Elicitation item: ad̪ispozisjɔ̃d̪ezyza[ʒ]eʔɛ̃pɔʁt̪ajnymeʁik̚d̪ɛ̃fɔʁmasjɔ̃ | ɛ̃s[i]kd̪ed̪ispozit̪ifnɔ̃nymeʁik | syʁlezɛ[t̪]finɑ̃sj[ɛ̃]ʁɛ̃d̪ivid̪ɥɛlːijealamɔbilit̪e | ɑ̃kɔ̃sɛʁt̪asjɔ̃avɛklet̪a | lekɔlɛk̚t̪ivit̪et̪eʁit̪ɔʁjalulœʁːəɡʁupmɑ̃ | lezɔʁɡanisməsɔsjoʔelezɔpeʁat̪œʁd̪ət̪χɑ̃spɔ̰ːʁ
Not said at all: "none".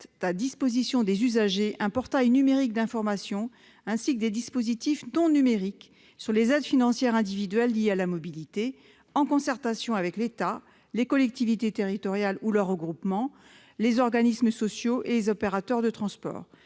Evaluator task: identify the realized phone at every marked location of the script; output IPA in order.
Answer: ʒ, i, d̪, ɛ

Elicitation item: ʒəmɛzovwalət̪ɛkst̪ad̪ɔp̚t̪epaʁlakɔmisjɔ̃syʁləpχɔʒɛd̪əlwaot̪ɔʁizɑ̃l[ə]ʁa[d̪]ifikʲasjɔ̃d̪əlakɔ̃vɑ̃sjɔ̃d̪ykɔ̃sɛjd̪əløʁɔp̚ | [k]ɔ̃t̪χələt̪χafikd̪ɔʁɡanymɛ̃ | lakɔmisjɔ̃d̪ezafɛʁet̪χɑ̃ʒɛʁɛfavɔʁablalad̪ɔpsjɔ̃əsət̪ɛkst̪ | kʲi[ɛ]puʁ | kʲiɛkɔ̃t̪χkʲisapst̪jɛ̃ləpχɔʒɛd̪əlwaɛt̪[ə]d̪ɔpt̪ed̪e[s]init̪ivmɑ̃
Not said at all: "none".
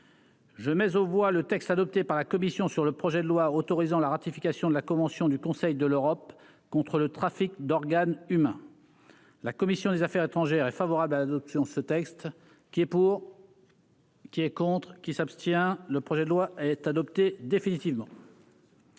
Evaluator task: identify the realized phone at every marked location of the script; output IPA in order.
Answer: a, t̪, k, ɛ, a, f

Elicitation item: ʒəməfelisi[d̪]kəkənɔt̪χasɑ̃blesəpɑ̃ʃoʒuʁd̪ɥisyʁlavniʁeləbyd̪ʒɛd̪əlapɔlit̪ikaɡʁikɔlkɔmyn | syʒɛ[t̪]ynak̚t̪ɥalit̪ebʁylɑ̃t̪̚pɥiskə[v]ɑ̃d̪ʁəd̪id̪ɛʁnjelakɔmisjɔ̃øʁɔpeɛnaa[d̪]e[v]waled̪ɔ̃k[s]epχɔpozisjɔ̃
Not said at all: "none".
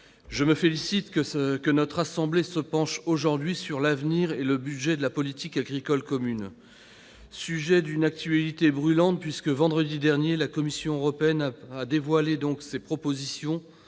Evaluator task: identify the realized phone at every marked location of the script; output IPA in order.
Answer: t̪, d̪, v, d̪, v, s

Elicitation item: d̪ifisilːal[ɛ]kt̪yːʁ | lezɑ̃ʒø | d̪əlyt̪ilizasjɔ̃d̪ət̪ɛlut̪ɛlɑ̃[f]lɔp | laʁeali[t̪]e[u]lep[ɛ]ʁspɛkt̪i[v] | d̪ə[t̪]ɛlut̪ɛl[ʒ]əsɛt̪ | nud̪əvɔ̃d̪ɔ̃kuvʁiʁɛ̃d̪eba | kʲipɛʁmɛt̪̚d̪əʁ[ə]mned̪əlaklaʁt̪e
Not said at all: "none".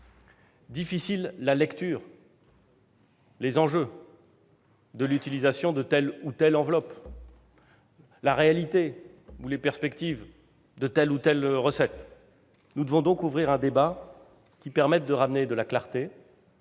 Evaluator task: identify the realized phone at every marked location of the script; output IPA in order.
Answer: ɛ, v, t̪, u, ɛ, v, t̪, ʁ, a

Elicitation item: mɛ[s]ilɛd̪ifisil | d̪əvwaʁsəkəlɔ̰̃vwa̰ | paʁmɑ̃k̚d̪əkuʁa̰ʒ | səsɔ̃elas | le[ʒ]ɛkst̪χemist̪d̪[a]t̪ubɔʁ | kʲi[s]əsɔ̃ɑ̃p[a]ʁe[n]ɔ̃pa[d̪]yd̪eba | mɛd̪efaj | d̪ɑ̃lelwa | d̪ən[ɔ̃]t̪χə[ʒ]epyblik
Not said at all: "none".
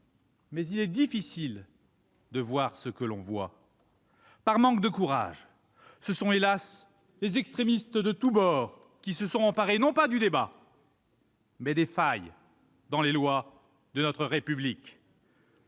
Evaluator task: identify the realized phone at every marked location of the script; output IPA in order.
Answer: z, z, ə, s, a, n, d̪, ɔ, ʁ

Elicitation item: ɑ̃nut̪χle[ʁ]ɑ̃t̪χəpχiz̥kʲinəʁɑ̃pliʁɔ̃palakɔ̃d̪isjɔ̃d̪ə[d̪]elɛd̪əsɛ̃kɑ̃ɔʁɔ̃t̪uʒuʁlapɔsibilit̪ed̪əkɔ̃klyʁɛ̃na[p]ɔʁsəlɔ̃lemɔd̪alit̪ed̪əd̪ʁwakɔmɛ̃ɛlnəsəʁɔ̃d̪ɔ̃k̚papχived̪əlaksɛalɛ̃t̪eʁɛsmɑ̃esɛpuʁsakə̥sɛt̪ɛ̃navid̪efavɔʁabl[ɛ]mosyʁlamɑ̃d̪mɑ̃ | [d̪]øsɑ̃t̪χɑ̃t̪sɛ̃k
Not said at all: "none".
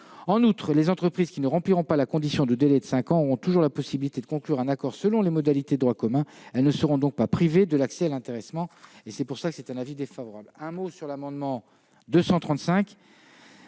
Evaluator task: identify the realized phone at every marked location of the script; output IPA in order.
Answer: z, d̪, k, ɛ̃, d̪

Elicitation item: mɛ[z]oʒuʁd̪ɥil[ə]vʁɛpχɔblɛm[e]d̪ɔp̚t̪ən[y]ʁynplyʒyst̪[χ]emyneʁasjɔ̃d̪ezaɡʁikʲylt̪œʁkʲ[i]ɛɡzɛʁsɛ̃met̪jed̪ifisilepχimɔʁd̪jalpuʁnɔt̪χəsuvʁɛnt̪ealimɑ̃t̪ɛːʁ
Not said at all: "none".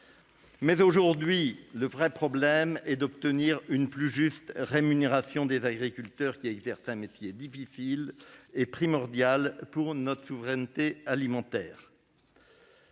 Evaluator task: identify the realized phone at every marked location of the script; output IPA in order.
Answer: z, ə, ɛ, i, ʁ, i

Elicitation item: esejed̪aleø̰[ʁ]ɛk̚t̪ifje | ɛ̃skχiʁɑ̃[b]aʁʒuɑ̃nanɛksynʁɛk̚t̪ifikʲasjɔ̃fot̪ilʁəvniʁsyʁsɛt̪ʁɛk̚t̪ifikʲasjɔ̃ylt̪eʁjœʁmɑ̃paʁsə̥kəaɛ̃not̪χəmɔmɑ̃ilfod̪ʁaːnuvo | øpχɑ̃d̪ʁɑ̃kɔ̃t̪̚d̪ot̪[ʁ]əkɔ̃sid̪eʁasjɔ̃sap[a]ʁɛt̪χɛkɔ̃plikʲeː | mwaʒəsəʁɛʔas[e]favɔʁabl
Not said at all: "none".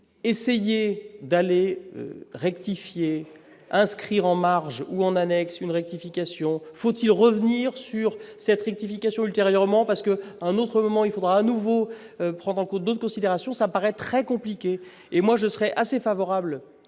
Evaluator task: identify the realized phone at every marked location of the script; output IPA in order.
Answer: ʁ, m, χ, a, e

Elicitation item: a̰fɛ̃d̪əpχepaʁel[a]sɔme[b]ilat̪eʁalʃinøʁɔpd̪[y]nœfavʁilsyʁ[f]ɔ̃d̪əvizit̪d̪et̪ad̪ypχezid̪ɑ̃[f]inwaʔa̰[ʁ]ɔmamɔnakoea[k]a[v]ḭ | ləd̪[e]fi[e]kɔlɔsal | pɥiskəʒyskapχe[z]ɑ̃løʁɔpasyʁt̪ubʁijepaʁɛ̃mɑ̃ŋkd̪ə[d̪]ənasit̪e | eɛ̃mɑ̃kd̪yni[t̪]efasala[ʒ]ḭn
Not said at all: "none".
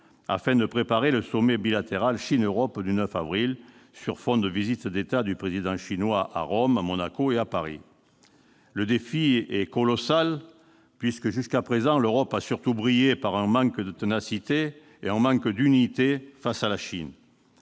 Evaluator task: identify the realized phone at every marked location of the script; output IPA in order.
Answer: ə, b, y, f, ʃ, ʁ, p, ʁ, e, ɛ, z, t̪, t̪, ʃ

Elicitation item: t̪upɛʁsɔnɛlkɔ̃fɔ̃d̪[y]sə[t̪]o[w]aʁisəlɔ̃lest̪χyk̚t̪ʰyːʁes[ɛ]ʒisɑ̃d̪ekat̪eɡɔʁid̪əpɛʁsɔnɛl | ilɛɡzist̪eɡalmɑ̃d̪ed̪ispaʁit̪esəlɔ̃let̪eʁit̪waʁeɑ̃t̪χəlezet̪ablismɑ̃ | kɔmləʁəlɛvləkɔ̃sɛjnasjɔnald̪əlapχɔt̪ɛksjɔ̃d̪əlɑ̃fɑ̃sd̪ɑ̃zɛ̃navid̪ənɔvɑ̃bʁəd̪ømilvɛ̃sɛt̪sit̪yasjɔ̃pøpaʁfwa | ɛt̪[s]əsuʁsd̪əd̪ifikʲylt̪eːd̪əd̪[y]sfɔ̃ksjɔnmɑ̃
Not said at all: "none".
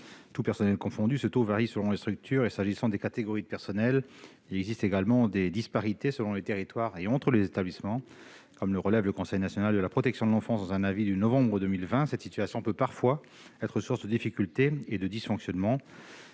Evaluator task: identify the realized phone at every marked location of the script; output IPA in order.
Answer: y, t̪, v, a, χ, i

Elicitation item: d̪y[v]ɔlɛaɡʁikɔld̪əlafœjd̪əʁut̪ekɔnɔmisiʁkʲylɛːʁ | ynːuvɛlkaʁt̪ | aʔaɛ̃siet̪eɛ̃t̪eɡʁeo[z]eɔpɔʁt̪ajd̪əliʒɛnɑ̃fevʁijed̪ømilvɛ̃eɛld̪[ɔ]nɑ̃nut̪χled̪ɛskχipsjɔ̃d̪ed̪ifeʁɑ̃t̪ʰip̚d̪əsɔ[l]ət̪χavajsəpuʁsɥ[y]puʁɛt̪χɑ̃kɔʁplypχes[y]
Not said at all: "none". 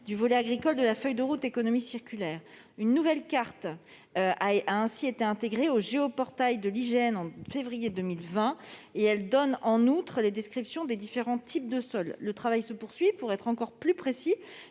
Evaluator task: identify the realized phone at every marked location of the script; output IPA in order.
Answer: v, ʒ, ɔ, lː, i, i

